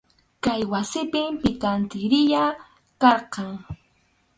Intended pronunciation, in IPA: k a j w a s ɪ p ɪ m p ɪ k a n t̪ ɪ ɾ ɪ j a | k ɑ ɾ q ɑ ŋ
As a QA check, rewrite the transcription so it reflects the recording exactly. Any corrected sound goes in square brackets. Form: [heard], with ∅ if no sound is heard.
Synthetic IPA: k a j w a s ɪ p ɪ m p ɪ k a n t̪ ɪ ɾ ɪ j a | k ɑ ɾ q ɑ ŋ